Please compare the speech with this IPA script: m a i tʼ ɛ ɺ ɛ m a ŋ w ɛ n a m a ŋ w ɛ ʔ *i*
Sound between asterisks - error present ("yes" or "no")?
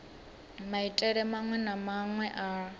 yes